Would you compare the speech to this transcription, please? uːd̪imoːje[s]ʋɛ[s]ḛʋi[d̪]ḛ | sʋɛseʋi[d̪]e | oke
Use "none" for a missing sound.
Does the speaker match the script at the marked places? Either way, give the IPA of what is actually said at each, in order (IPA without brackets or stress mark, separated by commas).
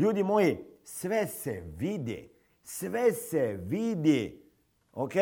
s, s, d̪, d̪